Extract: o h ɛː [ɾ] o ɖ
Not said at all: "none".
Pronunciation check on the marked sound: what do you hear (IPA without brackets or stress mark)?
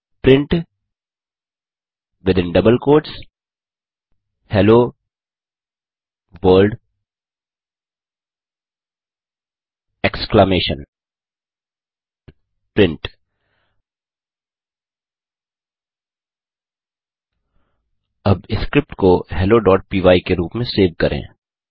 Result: l